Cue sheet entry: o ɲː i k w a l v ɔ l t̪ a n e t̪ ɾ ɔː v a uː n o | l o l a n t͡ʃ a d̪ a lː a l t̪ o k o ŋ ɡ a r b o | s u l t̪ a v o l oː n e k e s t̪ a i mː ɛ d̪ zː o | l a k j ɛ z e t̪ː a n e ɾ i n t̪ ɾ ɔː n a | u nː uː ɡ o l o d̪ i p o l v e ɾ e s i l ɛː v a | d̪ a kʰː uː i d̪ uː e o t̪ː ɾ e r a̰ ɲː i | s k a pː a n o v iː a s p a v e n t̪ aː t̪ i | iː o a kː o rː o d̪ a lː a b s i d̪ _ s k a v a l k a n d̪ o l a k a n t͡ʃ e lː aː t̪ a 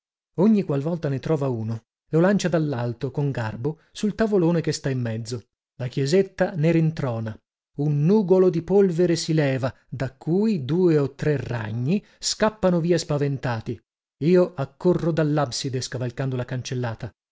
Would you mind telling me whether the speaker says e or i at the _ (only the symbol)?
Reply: e